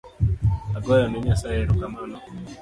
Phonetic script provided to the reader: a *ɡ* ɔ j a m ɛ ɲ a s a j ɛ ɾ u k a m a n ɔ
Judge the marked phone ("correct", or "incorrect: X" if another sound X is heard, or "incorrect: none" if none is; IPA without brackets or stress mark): correct